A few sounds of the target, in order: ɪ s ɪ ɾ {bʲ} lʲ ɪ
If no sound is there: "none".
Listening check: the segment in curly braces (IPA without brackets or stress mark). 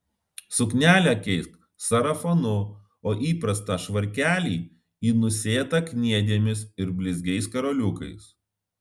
bʲ